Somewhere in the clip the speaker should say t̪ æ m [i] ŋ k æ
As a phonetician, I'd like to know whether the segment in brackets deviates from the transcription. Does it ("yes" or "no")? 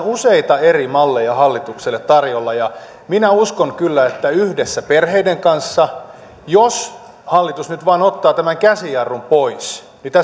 yes